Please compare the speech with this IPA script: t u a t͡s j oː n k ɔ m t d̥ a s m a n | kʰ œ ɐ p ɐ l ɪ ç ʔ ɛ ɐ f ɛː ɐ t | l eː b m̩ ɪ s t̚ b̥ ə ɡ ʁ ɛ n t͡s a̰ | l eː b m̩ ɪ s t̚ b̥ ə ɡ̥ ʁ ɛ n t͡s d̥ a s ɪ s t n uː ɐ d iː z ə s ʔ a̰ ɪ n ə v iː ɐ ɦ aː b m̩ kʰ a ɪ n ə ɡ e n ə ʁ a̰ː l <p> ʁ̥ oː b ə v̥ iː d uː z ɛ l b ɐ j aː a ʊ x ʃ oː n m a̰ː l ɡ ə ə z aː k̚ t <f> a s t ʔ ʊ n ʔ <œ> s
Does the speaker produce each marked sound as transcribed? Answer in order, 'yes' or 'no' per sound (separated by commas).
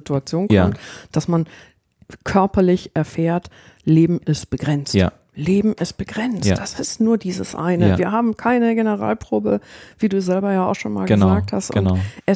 yes, no, no